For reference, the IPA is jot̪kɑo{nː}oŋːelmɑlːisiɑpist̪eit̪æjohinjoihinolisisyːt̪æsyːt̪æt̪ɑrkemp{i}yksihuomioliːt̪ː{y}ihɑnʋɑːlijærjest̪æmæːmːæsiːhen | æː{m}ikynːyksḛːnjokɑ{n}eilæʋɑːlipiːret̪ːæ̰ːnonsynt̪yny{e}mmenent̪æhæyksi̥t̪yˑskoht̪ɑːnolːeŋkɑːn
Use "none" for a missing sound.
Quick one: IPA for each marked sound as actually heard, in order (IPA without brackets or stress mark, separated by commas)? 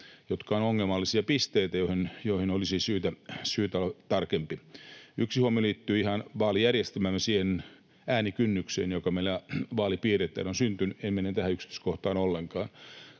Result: n, i, yː, n, m, e